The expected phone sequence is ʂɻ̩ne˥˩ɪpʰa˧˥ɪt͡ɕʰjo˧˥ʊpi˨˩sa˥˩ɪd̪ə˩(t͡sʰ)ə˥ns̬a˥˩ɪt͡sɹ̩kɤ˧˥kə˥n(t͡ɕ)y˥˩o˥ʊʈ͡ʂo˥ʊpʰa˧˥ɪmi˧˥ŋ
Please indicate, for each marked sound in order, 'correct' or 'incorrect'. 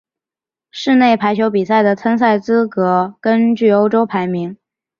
correct, correct

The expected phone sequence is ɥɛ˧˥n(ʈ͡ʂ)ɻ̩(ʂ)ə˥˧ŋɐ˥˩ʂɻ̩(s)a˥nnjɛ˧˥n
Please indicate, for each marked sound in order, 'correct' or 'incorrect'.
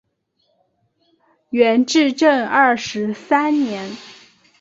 correct, incorrect, correct

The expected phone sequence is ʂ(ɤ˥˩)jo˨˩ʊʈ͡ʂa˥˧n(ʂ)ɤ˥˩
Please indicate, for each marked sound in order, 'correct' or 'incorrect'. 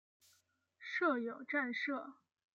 correct, correct

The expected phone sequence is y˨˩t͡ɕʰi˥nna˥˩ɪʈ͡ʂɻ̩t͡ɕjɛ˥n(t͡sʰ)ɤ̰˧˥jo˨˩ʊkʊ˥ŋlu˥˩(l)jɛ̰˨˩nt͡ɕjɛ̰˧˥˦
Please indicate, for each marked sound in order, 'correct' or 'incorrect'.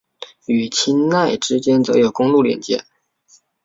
incorrect, correct

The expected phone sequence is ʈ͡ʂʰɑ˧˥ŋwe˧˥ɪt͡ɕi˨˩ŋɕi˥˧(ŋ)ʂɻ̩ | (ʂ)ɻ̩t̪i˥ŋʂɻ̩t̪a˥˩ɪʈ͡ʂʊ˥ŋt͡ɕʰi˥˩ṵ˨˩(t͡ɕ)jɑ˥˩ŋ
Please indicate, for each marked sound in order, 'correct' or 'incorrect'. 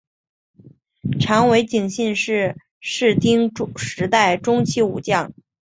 incorrect, correct, correct

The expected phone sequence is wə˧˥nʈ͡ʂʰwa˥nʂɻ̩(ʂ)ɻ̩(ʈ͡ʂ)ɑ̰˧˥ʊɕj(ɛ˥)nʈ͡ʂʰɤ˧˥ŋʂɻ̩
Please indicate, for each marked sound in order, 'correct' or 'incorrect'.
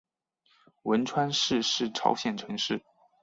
correct, incorrect, incorrect

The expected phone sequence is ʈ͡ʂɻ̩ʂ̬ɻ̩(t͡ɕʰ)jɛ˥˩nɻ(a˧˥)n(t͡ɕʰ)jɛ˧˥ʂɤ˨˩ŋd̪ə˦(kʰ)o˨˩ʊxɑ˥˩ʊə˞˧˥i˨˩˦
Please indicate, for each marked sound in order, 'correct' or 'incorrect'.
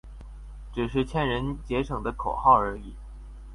correct, incorrect, incorrect, correct

